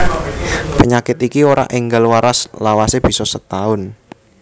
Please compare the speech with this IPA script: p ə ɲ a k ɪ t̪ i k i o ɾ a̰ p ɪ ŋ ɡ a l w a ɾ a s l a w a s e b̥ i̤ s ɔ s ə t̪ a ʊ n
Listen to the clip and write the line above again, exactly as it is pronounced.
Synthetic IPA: p ə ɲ a k ɪ t̪ i k i o ɾ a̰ ʔ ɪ ŋ ɡ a l w a ɾ a s l a w a s e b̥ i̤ s ɔ s ə t̪ a ʊ n